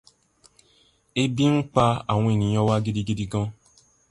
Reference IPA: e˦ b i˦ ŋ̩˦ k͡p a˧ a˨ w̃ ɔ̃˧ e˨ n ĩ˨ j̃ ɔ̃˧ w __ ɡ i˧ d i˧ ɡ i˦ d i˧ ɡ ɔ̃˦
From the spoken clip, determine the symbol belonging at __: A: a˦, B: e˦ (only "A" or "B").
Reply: A